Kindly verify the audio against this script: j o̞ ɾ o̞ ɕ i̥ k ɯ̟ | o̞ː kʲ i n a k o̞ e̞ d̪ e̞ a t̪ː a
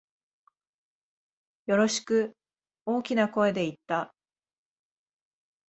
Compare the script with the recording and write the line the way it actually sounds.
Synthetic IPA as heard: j o̞ ɾ o̞ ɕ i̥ k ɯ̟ | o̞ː kʲ i n a k o̞ e̞ d̪ e̞ i t̪ː a